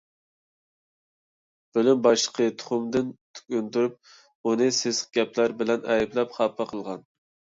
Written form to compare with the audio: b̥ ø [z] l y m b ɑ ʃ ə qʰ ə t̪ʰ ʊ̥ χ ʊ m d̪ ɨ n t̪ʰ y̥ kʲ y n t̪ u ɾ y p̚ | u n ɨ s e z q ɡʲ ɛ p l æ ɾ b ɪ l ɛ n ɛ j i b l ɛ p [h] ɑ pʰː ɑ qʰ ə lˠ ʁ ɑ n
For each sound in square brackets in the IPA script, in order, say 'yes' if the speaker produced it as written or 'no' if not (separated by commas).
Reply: no, no